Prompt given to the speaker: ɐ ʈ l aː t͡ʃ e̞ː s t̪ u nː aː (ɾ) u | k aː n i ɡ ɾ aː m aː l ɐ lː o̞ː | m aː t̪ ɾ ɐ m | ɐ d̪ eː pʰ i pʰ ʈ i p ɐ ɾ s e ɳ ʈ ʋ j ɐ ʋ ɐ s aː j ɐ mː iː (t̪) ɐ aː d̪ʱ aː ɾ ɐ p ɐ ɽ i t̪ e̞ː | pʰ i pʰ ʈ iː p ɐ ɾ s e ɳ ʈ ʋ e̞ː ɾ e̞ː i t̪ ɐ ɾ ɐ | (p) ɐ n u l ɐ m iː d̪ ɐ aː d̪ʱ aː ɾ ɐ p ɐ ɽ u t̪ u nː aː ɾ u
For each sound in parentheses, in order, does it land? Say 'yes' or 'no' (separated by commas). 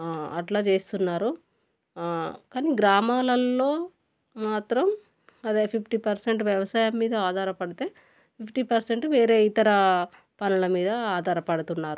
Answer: yes, no, yes